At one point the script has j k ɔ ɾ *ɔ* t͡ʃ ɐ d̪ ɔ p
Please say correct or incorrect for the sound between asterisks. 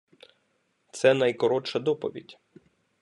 correct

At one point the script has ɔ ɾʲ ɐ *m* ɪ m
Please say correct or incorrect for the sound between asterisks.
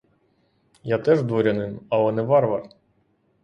incorrect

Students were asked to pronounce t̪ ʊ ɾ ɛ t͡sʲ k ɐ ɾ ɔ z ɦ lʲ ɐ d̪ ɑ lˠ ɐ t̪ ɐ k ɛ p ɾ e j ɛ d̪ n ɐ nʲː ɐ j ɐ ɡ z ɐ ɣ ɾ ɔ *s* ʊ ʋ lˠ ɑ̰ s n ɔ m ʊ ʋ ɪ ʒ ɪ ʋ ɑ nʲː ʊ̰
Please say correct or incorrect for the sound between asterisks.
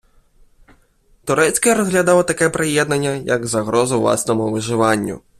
incorrect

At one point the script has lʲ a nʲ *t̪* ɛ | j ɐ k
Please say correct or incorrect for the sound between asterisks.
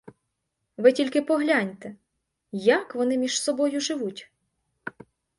correct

